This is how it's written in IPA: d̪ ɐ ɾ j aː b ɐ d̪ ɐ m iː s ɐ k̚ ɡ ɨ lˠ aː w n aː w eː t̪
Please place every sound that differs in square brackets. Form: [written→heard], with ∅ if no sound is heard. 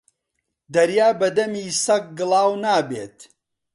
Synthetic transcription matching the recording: d̪ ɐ ɾ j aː b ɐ d̪ ɐ m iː s ɐ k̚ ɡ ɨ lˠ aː w n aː [w→b] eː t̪

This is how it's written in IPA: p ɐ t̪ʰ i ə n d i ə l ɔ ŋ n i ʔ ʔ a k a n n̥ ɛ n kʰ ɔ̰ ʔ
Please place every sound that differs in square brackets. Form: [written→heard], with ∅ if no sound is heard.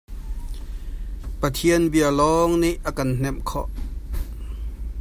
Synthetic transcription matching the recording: p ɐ t̪ʰ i ə n [d→b] i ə l ɔ ŋ n i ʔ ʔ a k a n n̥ ɛ [n→m] kʰ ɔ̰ ʔ

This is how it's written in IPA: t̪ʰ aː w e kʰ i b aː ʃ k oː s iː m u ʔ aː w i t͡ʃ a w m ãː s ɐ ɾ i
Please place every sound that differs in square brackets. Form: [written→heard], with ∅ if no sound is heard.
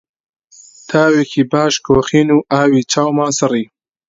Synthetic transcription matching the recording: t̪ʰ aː w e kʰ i b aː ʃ k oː [s→x] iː [m→n] u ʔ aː w i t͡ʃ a w m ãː s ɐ ɾ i

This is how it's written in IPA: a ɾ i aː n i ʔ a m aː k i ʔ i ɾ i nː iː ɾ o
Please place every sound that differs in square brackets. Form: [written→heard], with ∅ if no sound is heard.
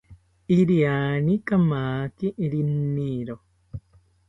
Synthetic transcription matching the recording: [a→i] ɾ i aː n i [ʔ→k] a m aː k i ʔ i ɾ i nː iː ɾ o

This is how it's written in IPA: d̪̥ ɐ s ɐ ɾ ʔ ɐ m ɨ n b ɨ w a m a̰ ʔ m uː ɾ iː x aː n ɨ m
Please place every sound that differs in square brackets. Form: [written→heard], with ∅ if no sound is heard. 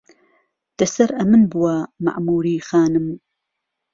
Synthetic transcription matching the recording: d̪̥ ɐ s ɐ ɾ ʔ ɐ m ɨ n b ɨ w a m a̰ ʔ m uː ɾ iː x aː n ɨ m

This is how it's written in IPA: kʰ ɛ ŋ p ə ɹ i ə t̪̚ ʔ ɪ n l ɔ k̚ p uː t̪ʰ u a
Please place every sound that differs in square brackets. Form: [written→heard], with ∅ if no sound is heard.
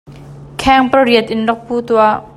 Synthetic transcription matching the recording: kʰ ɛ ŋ p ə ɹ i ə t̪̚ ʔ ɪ n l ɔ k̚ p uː [t̪ʰ→t̪] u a

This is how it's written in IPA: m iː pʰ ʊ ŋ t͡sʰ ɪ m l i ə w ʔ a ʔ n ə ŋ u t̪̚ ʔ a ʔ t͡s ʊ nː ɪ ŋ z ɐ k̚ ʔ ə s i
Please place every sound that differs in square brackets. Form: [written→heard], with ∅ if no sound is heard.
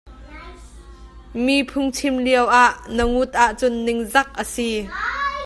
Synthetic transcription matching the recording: m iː pʰ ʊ ŋ t͡sʰ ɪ m l i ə w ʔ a ʔ n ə ŋ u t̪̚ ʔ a ʔ t͡s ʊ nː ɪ ŋ z ɐ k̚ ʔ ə s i

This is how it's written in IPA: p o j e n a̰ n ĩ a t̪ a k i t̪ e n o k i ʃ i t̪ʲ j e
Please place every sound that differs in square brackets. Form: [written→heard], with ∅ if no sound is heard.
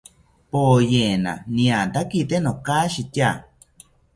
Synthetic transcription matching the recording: p o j e n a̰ n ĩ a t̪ a k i t̪ e n o k [i→a] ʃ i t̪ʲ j [e→a]

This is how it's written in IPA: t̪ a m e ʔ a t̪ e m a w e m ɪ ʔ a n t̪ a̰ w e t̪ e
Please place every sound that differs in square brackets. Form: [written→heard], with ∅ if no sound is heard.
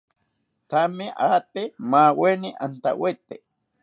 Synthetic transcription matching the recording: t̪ a m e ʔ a t̪ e m a w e [m→n] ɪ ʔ a n t̪ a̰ w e t̪ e

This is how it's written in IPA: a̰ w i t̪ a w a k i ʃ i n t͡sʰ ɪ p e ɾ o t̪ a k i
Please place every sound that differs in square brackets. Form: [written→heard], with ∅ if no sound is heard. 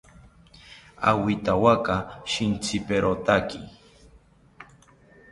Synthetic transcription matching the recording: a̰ w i t̪ a w a k [i→a] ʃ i n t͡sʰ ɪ p e ɾ o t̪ a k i

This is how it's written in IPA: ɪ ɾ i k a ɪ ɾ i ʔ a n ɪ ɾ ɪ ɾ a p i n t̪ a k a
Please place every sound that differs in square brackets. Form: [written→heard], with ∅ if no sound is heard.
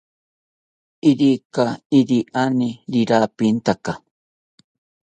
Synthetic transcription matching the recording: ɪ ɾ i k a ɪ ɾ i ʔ a n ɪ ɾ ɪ ɾ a p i n t̪ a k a

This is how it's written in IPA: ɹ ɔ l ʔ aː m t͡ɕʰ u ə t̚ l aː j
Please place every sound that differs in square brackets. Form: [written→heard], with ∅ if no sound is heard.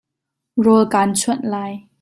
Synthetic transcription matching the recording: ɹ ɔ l [ʔ→k] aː [m→n] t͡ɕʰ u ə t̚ l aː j

